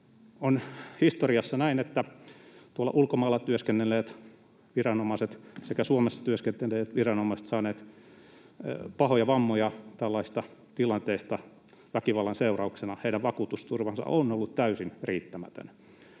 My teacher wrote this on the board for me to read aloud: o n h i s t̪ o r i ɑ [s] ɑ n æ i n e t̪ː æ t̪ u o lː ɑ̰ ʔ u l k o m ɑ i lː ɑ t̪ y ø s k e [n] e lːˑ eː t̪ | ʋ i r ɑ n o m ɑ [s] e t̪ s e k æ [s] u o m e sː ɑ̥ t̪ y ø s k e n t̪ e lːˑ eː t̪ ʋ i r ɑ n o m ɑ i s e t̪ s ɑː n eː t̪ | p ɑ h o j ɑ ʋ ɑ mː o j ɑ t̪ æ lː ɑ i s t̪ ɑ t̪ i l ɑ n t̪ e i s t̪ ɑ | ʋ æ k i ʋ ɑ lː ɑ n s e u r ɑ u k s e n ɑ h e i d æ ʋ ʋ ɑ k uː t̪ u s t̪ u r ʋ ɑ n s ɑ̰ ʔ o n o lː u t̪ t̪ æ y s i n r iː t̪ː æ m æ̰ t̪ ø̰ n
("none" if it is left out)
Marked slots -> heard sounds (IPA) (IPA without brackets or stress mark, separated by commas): sː, nː, s, s